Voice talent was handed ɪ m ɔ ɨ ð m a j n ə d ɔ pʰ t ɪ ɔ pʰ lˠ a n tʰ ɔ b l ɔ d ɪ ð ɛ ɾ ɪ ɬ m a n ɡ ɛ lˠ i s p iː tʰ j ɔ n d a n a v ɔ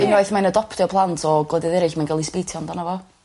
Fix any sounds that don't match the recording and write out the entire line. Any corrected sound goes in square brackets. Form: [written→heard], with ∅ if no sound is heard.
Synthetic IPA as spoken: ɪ [m→n] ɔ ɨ [ð→θ] m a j n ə d ɔ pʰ t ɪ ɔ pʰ lˠ a n tʰ ɔ [b→ɡ] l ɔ d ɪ ð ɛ ɾ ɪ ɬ m a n ɡ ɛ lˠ i s p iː tʰ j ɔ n d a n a v ɔ